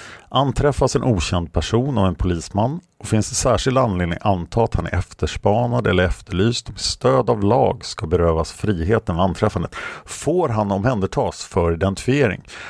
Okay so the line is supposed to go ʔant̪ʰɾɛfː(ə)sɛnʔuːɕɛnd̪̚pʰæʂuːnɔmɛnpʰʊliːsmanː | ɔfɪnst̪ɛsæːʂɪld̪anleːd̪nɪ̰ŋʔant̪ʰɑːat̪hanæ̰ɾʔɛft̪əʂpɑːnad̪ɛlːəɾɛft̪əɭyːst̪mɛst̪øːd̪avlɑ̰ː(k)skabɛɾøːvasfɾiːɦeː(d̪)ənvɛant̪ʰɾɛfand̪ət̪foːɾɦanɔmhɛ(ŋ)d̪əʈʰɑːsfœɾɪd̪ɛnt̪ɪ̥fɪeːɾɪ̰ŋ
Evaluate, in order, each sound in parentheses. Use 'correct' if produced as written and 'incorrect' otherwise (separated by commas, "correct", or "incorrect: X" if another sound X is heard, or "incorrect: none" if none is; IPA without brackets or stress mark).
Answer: incorrect: a, incorrect: ɡ, incorrect: t̪, incorrect: n